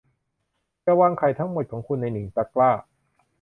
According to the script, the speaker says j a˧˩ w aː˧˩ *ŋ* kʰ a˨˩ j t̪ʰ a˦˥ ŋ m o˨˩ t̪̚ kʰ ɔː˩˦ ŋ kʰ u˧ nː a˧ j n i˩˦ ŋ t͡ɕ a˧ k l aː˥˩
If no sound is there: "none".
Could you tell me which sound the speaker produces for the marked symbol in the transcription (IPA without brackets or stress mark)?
ŋ